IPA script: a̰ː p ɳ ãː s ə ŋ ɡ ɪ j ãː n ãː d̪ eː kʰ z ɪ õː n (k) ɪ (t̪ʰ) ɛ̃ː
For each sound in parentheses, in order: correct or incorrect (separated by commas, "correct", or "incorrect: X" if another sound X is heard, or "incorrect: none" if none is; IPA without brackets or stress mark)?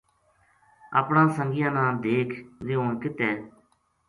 correct, incorrect: t̪